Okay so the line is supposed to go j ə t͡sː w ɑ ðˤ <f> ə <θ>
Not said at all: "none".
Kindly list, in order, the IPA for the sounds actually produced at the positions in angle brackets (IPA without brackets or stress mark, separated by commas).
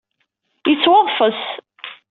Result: f, s